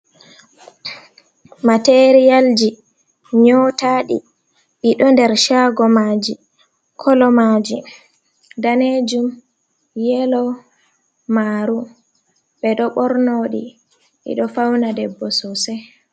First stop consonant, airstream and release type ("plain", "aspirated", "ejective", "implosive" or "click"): plain